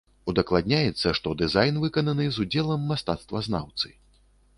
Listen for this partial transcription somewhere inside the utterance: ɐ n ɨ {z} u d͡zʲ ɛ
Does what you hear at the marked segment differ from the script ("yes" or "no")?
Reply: no